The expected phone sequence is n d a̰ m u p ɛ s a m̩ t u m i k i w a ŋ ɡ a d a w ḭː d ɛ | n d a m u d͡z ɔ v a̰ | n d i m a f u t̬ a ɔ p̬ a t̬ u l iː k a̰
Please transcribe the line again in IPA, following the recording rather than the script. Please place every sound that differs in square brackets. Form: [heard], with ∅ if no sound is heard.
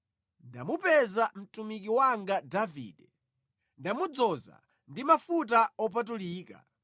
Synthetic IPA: n d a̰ m u p ɛ [z] a m̩ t u m i k i w a ŋ ɡ a d a [v] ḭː d ɛ | n d a m u d͡z ɔ [z] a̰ | n d i m a f u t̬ a ɔ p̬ a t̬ u l iː k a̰